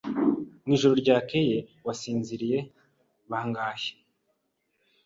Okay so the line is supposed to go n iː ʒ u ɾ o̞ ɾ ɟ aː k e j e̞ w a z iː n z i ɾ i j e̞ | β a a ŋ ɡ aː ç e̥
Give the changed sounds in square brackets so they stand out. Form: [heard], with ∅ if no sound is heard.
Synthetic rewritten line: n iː ʒ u ɾ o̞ ɾ ɟ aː k e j e̞ w a [s] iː n z i ɾ i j e̞ | β a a ŋ ɡ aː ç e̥